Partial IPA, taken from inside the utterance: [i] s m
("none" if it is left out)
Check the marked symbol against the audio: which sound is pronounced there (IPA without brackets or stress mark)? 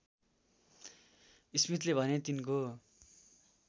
i